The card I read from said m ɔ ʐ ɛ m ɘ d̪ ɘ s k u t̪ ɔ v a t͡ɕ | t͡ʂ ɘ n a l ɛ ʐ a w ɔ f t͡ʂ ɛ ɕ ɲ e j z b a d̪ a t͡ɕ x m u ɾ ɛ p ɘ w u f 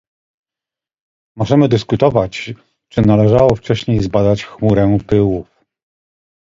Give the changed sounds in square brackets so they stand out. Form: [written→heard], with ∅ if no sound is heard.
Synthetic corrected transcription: m ɔ ʐ ɛ m ɘ d̪ ɘ s k u t̪ ɔ v a t͡ɕ | t͡ʂ ɘ n a l ɛ ʐ a w ɔ f t͡ʂ ɛ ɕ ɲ e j z b a d̪ a t͡ɕ x m u ɾ ɛ p ɘ w u f